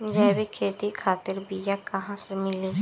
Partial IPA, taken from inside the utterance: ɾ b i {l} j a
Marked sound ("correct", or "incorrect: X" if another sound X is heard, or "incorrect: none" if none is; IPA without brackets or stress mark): incorrect: none